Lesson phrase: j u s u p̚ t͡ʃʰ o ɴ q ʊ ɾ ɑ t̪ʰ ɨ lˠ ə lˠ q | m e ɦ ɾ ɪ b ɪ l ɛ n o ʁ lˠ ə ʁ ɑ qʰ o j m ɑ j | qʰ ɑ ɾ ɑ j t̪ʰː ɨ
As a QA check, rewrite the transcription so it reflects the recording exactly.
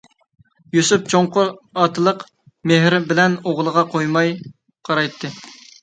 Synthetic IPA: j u s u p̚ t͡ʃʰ o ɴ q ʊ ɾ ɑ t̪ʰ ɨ lˠ ə q | m e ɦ ɾ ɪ b ɪ l ɛ n o ʁ lˠ ə ʁ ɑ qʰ o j m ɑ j | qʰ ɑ ɾ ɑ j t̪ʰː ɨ